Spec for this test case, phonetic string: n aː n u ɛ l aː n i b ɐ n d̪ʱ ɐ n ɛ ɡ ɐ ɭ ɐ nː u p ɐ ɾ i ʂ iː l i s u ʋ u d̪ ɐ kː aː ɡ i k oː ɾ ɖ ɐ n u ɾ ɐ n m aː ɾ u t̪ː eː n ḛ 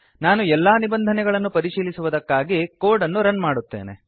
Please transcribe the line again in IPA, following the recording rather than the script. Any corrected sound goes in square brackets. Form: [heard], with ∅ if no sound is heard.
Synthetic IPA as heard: n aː n u ɛ [lː] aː n i b ɐ n d̪ʱ ɐ n ɛ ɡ ɐ ɭ ɐ nː u p ɐ ɾ i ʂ iː l i s u ʋ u d̪ ɐ kː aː ɡ i k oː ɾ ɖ ɐ [nː] u ɾ ɐ n m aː [ɽ] u t̪ː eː n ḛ